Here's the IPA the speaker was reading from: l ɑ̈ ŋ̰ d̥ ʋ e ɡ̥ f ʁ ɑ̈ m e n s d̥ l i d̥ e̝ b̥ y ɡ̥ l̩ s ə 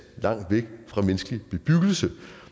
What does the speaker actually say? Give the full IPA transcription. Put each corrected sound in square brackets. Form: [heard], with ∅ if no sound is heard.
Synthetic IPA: l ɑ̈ ŋ̰ d̥ ʋ e ɡ̥ f ʁ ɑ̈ m e n s [ɡ̥] l i [b̥] e̝ b̥ y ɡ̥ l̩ s ə